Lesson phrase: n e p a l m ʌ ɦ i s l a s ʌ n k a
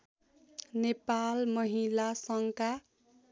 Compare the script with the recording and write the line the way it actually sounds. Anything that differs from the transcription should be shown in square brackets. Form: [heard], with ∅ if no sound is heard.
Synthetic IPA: n e p a l m ʌ ɦ i [∅] l a s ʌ [ŋ] k a